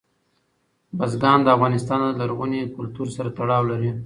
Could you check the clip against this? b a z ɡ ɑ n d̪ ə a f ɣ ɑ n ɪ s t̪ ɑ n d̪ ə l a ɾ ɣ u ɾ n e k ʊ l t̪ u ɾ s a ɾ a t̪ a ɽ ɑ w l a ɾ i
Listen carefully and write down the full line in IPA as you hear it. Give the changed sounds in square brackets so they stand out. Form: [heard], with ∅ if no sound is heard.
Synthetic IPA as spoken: b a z ɡ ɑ n d̪ ə a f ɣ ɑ n ɪ s t̪ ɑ n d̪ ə l a ɾ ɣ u [∅] n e k ʊ l t̪ u ɾ s a ɾ a t̪ a ɽ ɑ w l a ɾ i